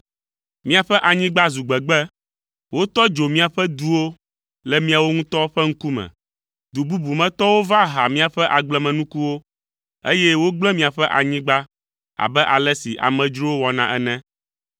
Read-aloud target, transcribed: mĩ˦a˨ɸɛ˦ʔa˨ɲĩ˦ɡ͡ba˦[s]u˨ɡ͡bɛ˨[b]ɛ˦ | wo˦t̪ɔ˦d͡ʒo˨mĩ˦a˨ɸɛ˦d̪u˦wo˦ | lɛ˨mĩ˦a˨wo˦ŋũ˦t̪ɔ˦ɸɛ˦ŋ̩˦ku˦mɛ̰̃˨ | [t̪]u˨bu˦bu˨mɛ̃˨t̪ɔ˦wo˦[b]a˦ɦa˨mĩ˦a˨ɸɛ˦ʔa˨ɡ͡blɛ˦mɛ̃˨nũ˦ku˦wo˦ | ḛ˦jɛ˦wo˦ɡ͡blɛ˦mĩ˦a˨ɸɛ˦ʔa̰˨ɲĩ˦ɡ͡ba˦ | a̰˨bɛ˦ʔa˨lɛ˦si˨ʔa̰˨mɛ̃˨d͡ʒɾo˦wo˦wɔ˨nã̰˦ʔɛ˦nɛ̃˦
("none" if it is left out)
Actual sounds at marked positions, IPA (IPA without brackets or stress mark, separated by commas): z, ɡ͡b, d̪, v